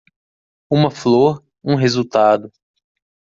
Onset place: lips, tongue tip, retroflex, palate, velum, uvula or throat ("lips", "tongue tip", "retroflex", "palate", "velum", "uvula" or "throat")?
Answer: lips